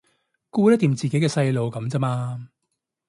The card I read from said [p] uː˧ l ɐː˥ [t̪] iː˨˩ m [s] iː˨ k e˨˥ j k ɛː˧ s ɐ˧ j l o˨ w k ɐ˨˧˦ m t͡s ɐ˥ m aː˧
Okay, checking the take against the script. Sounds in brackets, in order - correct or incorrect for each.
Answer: incorrect: k, correct, incorrect: t͡s

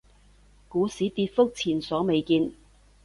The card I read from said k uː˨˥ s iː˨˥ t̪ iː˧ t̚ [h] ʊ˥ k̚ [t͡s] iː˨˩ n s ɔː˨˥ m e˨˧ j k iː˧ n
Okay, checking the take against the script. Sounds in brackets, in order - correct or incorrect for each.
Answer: incorrect: f, incorrect: t͡sʰ

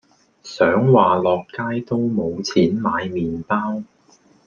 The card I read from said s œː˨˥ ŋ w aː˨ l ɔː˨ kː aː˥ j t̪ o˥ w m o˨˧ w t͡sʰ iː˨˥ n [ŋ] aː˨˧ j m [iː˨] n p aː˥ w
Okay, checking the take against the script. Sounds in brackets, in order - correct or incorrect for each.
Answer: incorrect: m, correct

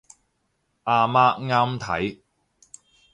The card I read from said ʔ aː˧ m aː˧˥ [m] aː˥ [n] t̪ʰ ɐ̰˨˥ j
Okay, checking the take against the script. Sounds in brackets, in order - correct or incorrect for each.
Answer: incorrect: ŋ, incorrect: m

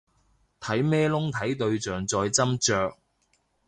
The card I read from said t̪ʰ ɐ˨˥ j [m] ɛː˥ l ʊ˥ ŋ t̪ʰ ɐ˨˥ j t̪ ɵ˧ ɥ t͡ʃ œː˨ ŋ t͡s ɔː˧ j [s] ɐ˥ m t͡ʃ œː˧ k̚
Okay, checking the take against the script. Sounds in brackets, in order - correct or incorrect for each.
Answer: correct, incorrect: t͡s

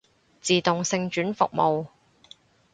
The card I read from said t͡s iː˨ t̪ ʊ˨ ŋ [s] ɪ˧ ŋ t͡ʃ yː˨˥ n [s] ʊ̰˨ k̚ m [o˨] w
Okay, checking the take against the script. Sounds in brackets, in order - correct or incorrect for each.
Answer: correct, incorrect: f, correct

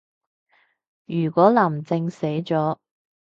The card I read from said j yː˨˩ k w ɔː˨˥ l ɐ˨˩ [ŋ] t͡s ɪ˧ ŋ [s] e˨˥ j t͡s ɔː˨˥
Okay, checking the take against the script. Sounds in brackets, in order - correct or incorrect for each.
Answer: incorrect: m, correct

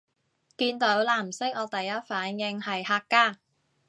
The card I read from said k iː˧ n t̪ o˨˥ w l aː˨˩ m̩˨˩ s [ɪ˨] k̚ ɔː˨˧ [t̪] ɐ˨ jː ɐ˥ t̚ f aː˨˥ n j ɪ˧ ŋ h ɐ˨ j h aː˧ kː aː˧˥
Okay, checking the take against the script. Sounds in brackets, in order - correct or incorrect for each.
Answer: incorrect: ɪ˥, correct

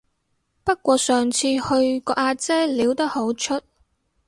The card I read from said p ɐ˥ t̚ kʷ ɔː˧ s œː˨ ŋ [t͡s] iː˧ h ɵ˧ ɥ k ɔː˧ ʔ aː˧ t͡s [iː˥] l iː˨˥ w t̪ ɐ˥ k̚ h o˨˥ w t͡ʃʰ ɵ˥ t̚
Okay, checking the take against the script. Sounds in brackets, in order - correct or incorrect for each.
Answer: incorrect: t͡sʰ, incorrect: ɛː˥

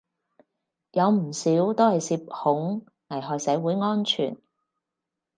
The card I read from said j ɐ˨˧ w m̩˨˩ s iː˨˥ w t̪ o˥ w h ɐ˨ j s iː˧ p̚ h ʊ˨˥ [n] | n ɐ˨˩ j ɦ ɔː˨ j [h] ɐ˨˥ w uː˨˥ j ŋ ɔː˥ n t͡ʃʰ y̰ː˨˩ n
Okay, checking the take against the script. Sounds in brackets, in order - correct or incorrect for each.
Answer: incorrect: ŋ, incorrect: s

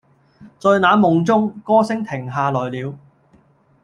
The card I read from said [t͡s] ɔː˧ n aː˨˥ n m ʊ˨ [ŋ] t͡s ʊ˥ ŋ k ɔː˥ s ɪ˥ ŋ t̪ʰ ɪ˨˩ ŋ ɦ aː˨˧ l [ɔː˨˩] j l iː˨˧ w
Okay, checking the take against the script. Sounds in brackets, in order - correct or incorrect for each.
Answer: correct, correct, correct

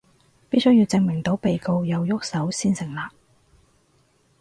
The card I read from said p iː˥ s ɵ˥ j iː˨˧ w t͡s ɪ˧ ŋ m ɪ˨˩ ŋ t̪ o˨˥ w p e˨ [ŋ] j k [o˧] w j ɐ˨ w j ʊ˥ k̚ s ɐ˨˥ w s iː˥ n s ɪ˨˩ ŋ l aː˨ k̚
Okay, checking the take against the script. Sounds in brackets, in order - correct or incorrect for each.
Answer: incorrect: none, correct

